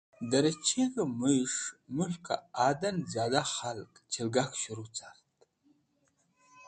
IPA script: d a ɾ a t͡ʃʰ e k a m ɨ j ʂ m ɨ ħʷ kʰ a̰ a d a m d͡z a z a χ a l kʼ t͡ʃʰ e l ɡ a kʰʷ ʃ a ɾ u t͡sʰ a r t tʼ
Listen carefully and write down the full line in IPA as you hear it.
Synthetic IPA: d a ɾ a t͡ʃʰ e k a m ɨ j ʂ m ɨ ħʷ kʰ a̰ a d a n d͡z a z a χ a l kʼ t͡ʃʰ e l ɡ a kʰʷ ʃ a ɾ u t͡sʰ a r t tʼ